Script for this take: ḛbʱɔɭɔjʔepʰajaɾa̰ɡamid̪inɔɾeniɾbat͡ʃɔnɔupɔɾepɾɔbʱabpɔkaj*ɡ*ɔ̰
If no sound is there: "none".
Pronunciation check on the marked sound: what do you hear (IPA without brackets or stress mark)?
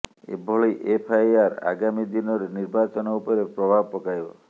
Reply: b